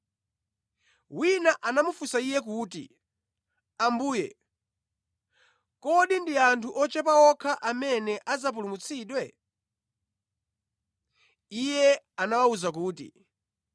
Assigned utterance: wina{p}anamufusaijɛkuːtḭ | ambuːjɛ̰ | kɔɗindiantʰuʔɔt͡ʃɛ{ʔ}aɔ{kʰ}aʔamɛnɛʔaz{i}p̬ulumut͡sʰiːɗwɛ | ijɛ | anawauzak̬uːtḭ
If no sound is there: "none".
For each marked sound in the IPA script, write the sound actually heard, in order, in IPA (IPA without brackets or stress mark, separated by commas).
ʔ, p, kʰ, a